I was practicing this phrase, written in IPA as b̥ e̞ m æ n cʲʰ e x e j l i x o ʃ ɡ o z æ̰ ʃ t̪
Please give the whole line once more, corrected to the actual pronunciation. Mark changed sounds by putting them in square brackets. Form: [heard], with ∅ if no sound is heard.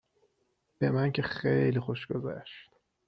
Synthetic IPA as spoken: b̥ e̞ m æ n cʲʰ e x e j l i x o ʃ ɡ o z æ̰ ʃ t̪